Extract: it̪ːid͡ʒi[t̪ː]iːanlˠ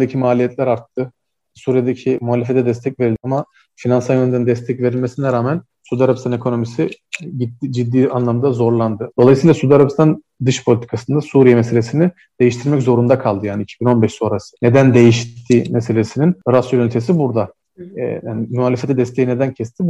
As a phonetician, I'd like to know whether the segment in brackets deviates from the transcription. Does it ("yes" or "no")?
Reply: yes